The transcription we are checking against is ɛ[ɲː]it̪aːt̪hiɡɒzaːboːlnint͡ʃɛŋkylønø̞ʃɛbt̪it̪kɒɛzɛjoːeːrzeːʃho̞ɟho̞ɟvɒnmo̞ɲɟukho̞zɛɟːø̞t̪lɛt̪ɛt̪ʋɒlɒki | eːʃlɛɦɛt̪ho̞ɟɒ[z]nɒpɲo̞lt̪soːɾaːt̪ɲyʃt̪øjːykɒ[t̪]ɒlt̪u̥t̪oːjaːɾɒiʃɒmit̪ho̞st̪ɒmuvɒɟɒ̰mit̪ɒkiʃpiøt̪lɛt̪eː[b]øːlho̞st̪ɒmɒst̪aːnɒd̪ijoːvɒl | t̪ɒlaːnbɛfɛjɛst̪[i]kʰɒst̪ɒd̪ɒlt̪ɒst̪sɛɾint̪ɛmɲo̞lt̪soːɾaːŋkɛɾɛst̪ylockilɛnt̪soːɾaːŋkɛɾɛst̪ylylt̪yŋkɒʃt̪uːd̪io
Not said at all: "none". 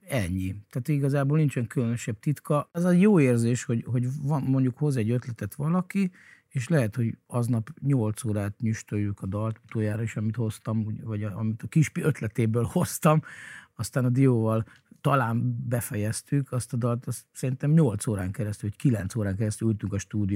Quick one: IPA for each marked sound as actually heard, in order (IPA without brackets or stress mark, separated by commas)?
ɲː, z, d̪, b, y